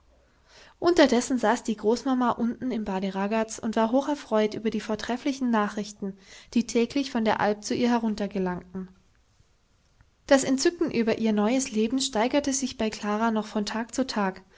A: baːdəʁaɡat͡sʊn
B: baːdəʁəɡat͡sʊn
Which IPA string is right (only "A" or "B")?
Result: A